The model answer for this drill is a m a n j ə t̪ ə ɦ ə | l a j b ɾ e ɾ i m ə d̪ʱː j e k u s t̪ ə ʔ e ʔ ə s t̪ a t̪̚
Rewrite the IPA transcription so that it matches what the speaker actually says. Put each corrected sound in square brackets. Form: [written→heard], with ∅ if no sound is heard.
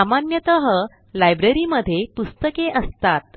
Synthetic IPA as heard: a m a n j ə t̪ ə ɦ ə | l a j b ɾ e ɾ i m ə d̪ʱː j e [k→p] u s t̪ ə [ʔ→k] e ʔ ə s t̪ a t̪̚